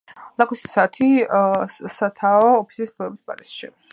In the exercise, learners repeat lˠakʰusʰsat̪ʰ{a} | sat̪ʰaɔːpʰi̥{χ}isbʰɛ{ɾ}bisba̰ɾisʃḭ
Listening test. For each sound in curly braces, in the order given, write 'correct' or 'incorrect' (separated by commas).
incorrect, incorrect, incorrect